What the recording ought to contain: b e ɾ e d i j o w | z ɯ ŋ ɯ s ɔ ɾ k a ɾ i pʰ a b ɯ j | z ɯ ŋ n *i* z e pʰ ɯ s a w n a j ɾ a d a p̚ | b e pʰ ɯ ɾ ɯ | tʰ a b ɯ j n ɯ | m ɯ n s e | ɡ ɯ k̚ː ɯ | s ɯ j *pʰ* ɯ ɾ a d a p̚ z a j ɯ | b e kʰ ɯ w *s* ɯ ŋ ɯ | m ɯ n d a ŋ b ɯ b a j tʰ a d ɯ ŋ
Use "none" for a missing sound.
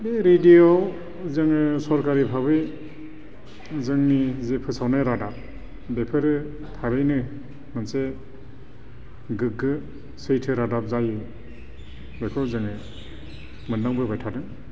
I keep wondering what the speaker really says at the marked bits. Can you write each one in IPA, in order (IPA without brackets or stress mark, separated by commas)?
i, tʰ, z